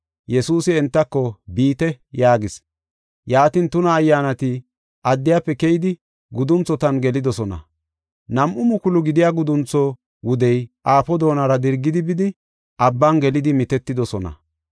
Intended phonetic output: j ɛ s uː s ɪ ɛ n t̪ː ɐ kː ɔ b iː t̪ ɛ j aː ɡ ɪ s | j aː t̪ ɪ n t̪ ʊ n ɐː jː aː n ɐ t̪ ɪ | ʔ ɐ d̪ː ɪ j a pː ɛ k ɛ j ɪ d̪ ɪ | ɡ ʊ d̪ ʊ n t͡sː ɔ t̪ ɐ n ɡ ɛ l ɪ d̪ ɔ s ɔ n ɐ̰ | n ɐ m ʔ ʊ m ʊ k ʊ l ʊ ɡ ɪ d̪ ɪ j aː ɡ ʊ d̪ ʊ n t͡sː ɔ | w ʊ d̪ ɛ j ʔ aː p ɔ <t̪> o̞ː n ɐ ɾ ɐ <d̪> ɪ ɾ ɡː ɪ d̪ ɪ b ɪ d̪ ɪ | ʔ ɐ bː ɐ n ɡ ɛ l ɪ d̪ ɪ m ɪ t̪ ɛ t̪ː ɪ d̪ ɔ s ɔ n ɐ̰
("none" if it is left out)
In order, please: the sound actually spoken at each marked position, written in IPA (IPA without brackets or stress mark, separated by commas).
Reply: d̪, d̪